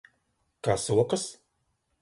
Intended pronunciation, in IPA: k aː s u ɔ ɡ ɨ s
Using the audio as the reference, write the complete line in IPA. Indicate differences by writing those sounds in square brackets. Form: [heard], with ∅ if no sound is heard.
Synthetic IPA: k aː s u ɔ [k] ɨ s